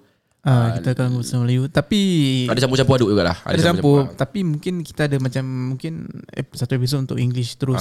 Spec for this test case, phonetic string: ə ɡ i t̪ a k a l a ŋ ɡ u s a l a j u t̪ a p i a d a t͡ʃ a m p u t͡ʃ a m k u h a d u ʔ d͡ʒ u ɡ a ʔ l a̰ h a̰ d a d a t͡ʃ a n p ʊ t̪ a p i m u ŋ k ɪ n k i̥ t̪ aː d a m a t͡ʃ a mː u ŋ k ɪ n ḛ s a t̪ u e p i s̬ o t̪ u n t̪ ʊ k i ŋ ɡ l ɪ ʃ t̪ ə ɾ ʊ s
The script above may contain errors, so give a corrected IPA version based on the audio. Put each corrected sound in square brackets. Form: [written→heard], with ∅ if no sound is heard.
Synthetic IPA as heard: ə [ɡ→k] i t̪ a k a l a ŋ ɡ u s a l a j u t̪ a p i a d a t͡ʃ a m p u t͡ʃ a m [k→p] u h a d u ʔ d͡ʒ u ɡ a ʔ l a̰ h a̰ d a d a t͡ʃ a [n→m] p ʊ t̪ a p i m u ŋ k ɪ n k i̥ t̪ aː d a m a t͡ʃ a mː u ŋ k ɪ n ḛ s a t̪ u e p i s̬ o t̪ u n t̪ ʊ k i ŋ ɡ l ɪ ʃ t̪ ə ɾ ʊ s